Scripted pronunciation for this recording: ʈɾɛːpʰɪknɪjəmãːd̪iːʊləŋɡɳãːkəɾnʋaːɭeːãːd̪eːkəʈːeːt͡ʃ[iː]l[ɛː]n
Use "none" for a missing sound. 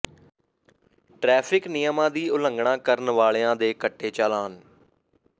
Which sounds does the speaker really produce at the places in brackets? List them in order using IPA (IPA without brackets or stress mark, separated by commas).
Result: aː, aː